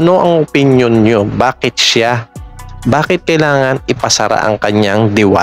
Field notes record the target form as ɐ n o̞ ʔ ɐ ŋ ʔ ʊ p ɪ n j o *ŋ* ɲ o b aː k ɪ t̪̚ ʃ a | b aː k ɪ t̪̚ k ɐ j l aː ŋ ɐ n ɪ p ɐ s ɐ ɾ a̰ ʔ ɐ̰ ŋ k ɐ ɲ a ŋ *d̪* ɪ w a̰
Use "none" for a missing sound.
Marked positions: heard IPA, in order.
n, d̪

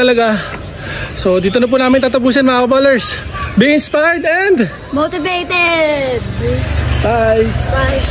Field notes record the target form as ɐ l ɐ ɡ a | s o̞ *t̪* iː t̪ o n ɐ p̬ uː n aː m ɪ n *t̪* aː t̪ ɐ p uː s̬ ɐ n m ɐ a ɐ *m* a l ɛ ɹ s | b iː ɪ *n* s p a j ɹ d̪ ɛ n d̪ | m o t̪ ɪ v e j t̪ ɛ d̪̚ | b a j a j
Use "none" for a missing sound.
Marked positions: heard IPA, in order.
d̪, t̪, b, n

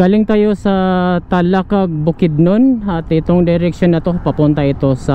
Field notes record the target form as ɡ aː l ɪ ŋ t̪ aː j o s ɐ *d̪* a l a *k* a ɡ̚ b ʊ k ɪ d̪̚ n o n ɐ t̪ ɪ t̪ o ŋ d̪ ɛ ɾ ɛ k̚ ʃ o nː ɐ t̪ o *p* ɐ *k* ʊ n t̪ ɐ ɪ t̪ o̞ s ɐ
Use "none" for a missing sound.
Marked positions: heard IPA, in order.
t̪, k, p, p

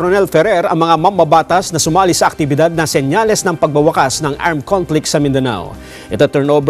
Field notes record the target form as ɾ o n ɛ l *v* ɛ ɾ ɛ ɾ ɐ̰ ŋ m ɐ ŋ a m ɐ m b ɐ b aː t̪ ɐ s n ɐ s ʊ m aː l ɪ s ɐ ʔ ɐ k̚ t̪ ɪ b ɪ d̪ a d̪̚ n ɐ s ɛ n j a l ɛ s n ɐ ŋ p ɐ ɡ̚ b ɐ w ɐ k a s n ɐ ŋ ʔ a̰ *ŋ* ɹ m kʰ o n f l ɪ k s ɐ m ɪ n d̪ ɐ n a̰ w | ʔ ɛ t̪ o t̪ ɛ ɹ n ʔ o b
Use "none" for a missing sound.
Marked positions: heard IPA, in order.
f, none

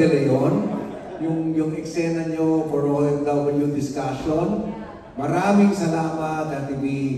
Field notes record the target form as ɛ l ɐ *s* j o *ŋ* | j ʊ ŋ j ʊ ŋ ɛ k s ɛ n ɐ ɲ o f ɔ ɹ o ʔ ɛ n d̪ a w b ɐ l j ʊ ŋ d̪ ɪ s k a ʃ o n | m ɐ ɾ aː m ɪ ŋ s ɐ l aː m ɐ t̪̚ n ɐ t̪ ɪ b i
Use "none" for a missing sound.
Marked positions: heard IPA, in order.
none, n

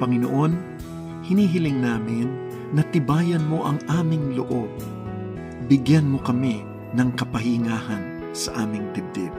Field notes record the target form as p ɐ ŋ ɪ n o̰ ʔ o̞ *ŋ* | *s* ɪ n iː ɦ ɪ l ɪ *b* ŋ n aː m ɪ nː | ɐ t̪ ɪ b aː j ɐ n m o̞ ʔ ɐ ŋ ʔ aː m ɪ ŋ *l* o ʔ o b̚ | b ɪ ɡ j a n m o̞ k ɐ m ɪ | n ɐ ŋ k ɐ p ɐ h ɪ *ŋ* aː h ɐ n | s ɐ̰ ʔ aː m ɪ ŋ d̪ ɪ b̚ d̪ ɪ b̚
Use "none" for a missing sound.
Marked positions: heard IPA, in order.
n, h, none, l, ŋ

